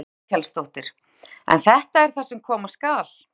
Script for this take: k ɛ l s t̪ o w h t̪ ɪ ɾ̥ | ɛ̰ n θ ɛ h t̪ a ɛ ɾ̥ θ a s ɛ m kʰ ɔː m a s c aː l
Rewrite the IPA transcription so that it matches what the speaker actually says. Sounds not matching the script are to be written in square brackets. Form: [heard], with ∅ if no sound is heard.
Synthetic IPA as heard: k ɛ l s t̪ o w h t̪ ɪ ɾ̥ | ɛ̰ n θ ɛ h t̪ a ɛ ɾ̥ θ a s ɛ m kʰ ɔː m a s [k] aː l